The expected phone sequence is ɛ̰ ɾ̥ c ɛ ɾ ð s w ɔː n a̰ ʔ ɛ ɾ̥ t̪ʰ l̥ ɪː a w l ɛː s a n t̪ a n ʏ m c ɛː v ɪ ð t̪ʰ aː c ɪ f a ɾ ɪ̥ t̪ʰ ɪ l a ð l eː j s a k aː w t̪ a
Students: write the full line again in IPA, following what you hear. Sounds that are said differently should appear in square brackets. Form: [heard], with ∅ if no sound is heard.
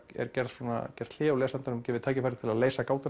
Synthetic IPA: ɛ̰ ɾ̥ c ɛ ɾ ð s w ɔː n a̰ [c] ɛ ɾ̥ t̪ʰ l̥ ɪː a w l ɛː s a n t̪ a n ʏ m c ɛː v ɪ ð t̪ʰ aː c ɪ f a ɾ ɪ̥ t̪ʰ ɪ l a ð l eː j s a k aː w t̪ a